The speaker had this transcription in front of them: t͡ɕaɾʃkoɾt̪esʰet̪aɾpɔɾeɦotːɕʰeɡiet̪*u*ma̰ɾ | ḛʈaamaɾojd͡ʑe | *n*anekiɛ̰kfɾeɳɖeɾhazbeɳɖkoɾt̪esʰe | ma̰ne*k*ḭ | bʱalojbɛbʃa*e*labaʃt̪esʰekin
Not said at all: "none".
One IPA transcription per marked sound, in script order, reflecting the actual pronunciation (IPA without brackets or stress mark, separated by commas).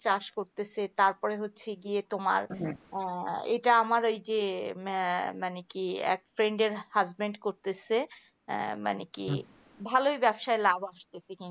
o, m, k, e